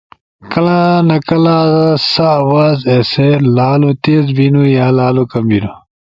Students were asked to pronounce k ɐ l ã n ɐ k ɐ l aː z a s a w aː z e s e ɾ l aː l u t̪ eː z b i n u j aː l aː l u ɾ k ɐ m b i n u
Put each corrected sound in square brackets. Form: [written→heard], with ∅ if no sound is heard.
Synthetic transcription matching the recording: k ɐ l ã n ɐ k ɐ l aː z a s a w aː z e s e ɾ l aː l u t̪ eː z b i n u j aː l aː l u [ɾ→∅] k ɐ m b i n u